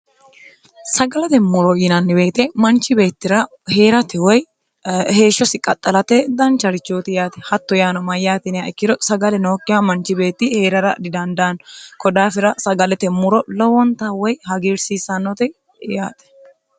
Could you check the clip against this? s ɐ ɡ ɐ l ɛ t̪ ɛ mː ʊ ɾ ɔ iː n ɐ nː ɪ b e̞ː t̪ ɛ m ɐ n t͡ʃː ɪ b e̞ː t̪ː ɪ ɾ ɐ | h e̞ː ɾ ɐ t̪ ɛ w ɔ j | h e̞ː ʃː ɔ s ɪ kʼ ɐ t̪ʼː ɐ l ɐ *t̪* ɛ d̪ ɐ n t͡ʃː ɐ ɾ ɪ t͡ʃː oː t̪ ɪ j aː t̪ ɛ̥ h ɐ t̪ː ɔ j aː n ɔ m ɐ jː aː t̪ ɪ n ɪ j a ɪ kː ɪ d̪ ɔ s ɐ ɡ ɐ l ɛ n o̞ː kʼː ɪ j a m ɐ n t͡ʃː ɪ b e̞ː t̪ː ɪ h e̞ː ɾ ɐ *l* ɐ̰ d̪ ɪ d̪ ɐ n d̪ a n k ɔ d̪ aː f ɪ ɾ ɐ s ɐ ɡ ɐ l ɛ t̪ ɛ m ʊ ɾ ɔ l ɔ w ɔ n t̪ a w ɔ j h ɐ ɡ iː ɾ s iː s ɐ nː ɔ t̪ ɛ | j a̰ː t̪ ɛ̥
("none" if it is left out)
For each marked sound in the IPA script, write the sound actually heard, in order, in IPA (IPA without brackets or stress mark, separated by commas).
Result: t̪, ɾ